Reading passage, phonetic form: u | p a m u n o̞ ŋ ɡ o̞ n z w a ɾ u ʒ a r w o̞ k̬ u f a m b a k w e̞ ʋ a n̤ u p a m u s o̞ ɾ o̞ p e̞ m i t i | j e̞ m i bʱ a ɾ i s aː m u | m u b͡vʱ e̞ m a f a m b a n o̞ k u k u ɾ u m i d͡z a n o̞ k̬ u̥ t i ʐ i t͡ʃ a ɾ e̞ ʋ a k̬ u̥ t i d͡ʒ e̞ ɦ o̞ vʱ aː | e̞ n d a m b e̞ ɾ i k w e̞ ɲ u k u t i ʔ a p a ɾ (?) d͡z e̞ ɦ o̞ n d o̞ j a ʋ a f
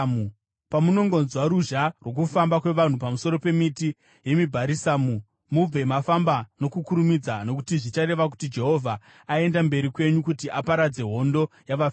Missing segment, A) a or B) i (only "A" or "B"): A